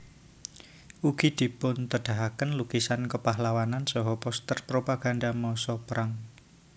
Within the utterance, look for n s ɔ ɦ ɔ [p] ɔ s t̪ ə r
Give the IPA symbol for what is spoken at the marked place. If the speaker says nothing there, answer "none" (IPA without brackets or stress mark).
p